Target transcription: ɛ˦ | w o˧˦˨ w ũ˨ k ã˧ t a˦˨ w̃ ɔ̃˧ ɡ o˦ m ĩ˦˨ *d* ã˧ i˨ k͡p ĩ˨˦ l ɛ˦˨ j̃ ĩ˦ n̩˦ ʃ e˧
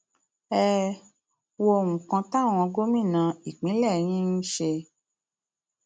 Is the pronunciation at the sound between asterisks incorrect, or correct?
incorrect: n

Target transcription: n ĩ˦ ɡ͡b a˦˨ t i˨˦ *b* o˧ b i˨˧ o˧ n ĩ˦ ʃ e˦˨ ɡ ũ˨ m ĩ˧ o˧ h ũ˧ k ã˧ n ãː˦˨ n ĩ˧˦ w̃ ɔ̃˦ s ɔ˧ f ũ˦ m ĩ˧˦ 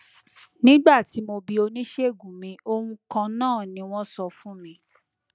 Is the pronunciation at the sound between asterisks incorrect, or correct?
incorrect: m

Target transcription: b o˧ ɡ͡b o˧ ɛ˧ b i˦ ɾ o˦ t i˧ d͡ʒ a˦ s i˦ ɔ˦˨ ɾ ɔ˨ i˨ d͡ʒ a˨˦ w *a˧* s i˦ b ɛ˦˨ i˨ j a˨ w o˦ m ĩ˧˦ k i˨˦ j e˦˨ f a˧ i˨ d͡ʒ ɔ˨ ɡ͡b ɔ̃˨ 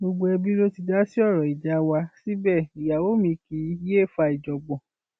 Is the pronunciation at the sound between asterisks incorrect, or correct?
correct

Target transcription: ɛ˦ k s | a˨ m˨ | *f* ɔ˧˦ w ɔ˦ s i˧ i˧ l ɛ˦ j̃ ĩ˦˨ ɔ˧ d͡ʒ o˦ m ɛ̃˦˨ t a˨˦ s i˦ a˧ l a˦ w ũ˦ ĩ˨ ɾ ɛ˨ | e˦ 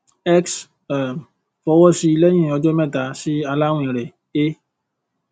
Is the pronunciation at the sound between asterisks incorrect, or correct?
correct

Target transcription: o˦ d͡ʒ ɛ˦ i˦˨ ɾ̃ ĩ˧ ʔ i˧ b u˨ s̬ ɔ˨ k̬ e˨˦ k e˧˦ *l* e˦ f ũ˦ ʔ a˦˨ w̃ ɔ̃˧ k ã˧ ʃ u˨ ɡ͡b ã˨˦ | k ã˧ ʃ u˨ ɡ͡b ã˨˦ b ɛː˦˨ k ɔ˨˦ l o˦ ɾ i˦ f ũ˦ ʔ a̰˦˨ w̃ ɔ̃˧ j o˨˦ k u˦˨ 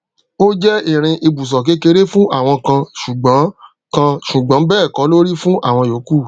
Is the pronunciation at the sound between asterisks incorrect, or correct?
incorrect: ɾ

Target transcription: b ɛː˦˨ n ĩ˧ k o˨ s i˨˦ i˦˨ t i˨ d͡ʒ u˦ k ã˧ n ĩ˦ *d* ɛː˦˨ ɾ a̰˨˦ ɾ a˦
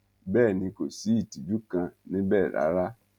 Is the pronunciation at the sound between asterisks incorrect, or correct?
incorrect: b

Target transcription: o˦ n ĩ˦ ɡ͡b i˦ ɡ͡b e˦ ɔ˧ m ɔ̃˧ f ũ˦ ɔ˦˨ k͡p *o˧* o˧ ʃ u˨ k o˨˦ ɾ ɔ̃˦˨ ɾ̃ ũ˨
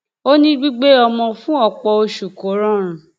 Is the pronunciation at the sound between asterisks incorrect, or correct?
incorrect: ɔ˧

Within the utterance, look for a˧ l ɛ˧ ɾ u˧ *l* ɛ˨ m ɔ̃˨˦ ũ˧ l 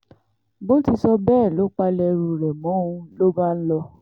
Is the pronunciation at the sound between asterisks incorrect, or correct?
incorrect: ɾ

